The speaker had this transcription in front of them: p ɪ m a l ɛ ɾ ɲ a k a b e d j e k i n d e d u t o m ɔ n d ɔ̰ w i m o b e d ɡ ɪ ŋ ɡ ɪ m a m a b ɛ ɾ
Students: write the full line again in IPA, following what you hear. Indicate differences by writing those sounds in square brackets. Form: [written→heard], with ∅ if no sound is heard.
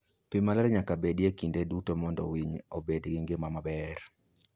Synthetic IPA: p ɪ m a l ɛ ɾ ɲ a k a b e d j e k i n d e d u t o m ɔ n d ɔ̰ w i [m→ɲ] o b e d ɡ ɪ ŋ ɡ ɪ m a m a b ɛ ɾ